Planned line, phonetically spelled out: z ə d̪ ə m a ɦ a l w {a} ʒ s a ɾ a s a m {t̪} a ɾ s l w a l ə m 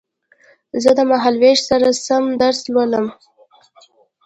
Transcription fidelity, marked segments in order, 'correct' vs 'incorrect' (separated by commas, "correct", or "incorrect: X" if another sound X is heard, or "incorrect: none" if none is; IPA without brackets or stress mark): incorrect: e, incorrect: d̪